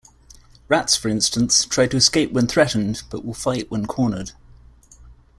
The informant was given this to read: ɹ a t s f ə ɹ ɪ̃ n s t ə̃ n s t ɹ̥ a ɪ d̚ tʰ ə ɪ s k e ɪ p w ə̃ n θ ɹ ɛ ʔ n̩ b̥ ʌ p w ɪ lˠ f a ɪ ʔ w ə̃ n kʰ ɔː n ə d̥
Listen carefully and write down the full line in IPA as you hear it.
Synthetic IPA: ɹ a t s f ə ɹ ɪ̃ n s t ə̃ n s tʰ ɹ̥ a ɪ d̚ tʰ ə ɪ s k e ɪ p w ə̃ n θ ɹ ɛ ʔ n̩ b̥ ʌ ʔ w ɪ lˠ f a ɪ ʔ w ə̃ n kʰ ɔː n ə d̥